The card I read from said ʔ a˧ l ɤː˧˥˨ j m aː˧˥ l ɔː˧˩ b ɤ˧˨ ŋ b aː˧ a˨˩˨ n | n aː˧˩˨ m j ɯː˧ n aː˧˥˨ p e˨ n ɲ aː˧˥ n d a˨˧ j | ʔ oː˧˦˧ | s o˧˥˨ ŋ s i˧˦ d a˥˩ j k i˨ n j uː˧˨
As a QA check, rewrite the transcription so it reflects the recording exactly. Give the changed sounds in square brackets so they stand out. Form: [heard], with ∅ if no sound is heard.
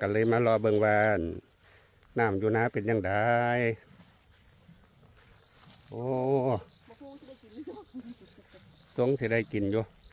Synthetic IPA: [k] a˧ l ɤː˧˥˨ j m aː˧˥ l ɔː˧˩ b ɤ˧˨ ŋ [w] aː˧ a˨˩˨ n | n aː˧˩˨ m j [uː˧] n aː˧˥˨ p e˨ n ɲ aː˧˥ [ŋ] d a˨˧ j | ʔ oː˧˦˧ | s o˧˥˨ ŋ s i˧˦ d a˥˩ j k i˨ n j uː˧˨